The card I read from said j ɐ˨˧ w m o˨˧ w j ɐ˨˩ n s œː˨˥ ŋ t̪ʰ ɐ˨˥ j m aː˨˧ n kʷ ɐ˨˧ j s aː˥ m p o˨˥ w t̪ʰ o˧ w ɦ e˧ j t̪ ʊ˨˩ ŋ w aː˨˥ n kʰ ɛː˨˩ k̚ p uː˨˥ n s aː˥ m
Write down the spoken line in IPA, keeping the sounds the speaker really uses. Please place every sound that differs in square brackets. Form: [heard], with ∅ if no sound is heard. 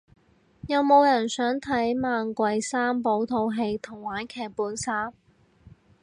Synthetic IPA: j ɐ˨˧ w m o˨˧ w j ɐ˨˩ n s œː˨˥ ŋ t̪ʰ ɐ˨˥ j m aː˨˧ n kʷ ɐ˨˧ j s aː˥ m p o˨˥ w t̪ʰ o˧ w ɦ e˧ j [t̪ʰ] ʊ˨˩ ŋ w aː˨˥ n kʰ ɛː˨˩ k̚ p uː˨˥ n s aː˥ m